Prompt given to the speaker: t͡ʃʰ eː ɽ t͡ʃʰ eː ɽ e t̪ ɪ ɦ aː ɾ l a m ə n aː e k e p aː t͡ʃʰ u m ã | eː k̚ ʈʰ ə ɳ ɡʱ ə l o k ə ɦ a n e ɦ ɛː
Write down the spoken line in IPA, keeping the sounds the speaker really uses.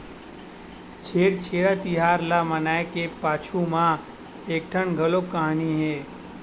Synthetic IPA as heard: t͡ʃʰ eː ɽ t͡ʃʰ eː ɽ a t̪ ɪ ɦ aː ɾ l a m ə n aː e k e p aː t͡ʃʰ u m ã | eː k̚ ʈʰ ə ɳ ɡʱ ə l o k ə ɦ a n i ɦ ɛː